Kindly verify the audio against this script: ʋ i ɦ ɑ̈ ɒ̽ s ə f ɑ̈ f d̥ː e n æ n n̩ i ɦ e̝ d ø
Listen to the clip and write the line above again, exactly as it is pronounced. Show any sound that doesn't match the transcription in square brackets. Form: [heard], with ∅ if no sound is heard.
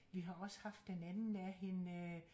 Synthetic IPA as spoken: ʋ i ɦ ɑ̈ ɒ̽ s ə [h] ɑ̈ f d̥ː e n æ n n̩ [æ] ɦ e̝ [n] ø